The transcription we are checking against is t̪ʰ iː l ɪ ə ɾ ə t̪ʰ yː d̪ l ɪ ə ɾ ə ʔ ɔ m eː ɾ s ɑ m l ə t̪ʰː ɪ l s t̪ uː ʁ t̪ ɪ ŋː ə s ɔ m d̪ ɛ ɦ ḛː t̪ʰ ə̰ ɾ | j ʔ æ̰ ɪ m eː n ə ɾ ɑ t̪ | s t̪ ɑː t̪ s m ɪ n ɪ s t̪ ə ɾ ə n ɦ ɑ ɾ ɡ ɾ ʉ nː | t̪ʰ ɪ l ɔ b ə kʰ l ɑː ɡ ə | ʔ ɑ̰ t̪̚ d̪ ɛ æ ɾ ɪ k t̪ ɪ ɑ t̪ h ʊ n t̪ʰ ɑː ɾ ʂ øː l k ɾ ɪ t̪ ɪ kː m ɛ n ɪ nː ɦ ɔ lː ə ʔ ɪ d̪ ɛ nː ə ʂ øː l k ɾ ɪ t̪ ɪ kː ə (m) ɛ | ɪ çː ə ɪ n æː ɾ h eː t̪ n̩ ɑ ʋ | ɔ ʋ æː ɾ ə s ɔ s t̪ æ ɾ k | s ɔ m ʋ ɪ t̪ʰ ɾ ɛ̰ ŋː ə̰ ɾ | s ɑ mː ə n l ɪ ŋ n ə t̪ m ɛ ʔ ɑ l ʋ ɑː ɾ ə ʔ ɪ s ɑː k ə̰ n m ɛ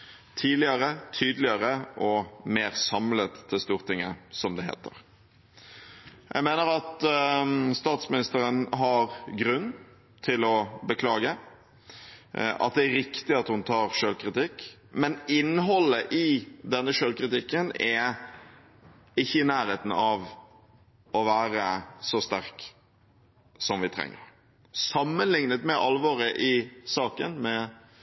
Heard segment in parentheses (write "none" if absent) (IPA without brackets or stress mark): n